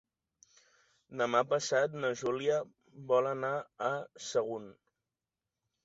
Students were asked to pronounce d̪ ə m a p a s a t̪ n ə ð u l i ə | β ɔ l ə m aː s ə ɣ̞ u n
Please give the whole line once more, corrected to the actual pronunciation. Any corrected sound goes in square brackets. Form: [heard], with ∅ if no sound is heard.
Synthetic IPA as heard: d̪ ə m a p [ə] s a t̪ n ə [ʒ] u l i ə | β ɔ l ə [n] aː s ə ɣ̞ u n